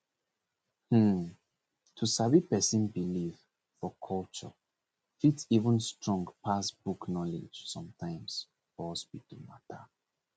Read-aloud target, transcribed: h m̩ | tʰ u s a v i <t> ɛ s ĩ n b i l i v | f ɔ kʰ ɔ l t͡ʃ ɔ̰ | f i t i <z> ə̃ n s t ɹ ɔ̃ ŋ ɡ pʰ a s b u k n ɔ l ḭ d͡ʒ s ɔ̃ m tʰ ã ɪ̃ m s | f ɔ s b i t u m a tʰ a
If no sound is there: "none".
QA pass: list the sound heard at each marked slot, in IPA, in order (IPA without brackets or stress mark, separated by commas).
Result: p, v